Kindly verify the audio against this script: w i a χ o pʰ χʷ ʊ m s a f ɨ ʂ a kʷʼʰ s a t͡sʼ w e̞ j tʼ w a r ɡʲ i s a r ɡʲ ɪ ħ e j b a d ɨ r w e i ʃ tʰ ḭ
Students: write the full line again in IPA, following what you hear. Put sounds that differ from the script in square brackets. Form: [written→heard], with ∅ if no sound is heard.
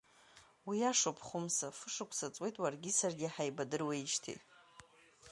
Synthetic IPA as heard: w i a [χ→ʂ] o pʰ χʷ ʊ m s a f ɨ ʂ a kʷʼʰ s a t͡sʼ w e̞ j tʼ w a r ɡʲ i s a r ɡʲ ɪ ħ [e→a] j b a d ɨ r w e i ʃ tʰ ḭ